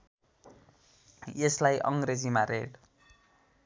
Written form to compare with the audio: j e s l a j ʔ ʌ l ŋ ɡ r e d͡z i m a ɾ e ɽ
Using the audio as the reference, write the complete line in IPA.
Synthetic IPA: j e s l a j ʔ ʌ ŋ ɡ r e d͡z i m a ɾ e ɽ